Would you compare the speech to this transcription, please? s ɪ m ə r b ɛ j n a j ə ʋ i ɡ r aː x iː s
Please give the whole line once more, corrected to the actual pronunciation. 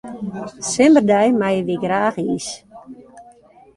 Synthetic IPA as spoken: s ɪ m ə r d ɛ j m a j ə ʋ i ɡ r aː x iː s